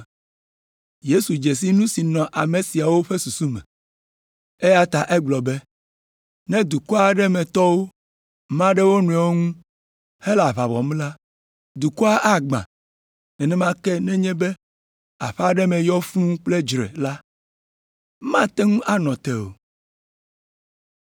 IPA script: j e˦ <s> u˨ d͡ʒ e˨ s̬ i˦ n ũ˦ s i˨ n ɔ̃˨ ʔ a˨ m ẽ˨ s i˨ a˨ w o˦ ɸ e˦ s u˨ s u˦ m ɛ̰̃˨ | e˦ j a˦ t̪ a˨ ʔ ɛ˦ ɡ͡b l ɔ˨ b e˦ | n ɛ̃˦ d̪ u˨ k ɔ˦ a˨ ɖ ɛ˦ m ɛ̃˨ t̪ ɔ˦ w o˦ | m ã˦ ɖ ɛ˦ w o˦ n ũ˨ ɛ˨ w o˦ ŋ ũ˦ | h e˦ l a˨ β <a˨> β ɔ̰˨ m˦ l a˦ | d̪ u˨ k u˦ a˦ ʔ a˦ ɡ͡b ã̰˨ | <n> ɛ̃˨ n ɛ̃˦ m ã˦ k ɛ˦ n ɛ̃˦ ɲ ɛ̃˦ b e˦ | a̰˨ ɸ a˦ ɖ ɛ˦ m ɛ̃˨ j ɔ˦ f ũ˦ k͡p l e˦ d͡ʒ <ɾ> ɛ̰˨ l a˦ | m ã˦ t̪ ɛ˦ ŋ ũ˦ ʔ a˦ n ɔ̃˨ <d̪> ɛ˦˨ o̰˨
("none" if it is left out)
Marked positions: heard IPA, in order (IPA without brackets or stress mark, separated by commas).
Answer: s, a˨, n, ɾ, t̪